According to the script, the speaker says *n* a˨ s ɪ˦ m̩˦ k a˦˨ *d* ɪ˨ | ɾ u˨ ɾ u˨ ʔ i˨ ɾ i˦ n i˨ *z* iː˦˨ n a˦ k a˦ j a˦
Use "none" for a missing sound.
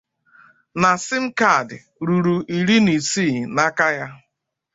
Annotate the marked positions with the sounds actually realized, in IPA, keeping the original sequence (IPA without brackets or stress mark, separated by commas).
n, d, s